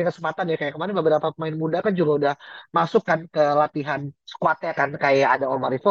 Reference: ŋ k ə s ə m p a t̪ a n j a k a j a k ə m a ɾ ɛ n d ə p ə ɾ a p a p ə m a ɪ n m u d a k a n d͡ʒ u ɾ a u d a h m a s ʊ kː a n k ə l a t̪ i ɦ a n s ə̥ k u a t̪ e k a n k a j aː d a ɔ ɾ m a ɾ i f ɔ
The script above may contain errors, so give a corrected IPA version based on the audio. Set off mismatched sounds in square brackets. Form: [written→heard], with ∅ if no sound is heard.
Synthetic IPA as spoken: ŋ k ə s ə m p a t̪ a n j a k a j a k ə m a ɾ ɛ n [d→b] ə [p→b] ə ɾ a p a p ə m a ɪ n m u d a k a n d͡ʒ u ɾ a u d a h m a s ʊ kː a n k ə l a t̪ i ɦ a n s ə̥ k u a t̪ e k a n k a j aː d a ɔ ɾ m a ɾ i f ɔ